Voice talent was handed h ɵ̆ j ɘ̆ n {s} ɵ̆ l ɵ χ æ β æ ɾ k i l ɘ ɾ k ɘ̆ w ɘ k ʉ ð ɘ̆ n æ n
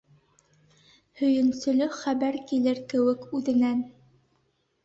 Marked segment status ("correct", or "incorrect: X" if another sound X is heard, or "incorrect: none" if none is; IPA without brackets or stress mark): correct